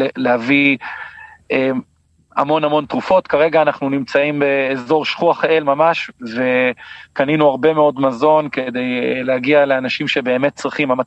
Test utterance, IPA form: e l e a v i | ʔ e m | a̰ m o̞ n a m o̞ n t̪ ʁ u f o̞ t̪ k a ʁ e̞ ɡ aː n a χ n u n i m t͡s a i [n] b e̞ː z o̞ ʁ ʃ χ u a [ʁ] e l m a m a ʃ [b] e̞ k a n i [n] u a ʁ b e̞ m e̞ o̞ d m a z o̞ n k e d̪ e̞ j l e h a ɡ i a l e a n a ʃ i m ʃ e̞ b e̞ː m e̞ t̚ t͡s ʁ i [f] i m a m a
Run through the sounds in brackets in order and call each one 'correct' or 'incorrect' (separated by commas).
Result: incorrect, incorrect, incorrect, correct, incorrect